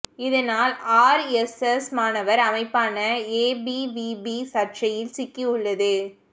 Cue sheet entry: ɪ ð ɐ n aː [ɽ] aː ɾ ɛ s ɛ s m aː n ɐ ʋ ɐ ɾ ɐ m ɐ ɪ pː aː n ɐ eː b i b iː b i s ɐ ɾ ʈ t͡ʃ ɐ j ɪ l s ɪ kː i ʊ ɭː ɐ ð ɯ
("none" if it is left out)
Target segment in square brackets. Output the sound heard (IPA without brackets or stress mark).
l